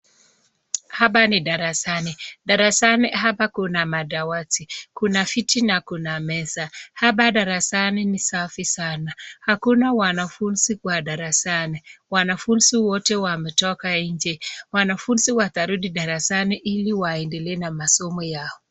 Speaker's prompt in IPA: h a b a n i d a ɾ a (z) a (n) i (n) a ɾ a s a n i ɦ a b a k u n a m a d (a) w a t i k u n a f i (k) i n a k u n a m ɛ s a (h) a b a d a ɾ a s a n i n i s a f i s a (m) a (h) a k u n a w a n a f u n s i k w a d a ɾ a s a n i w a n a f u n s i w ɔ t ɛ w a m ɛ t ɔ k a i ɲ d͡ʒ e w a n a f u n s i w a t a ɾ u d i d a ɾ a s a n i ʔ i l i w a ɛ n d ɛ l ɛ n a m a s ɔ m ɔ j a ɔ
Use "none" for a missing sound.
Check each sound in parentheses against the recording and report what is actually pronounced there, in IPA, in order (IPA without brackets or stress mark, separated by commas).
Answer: s, n, d, a, t, h, n, h